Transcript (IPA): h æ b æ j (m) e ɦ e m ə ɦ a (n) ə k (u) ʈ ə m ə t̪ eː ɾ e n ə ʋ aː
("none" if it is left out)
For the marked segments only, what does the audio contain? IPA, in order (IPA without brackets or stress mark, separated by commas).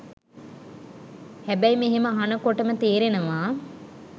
m, n, o